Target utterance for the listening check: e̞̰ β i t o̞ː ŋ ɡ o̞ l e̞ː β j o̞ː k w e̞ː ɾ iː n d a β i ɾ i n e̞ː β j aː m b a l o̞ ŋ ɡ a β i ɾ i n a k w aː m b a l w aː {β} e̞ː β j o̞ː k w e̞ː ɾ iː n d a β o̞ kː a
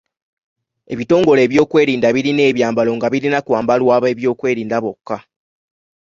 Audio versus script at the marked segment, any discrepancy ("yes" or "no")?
no